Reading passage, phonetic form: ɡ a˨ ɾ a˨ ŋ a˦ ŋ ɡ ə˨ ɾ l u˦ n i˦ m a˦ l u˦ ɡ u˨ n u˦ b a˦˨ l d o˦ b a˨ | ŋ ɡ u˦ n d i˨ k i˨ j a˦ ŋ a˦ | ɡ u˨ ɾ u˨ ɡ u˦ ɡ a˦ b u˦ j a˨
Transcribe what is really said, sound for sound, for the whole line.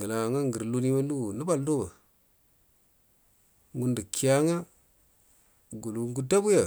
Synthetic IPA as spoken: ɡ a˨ l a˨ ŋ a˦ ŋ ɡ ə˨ ɾ l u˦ n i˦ m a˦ l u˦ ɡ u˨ n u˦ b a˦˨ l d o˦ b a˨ | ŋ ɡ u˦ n d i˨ k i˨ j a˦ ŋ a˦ | ɡ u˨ l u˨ ɡ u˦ d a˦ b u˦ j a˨